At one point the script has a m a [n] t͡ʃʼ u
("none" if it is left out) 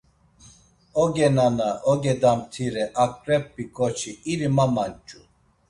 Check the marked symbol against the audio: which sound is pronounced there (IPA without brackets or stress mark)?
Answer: n